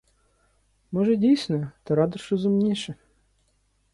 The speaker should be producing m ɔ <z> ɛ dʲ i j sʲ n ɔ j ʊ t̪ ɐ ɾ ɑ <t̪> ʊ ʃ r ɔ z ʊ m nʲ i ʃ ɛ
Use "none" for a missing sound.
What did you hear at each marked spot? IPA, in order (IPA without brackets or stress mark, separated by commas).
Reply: ʒ, d̪